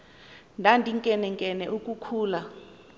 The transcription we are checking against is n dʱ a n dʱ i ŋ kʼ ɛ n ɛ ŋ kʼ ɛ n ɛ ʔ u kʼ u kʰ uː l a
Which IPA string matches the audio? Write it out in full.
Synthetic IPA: n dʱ a n dʱ i ŋ kʼ ɛ n ɛ ŋ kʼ ɛ n ɛ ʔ u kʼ u kʰ uː l a